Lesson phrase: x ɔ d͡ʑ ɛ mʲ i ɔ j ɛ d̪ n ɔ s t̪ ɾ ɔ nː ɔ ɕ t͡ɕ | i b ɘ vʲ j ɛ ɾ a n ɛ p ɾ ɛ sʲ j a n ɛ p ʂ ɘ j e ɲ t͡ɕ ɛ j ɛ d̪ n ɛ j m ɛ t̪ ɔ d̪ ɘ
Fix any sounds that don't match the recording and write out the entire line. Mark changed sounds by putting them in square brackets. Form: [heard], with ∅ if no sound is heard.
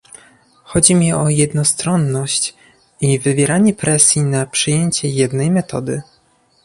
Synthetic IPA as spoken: x ɔ d͡ʑ [i] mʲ i ɔ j ɛ d̪ n ɔ s t̪ ɾ ɔ nː ɔ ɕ t͡ɕ | i [v] ɘ vʲ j ɛ ɾ a [ɲ] ɛ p ɾ ɛ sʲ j [i] n [a] p ʂ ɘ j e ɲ t͡ɕ ɛ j ɛ d̪ n ɛ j m ɛ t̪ ɔ d̪ ɘ